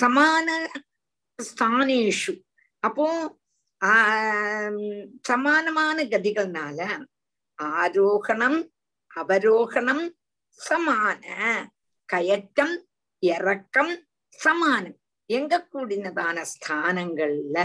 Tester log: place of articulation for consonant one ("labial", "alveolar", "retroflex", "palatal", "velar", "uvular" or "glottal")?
alveolar